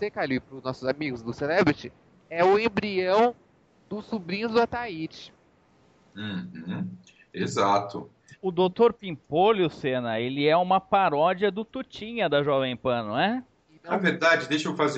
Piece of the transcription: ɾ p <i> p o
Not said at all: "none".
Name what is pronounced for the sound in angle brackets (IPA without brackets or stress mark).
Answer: ĩ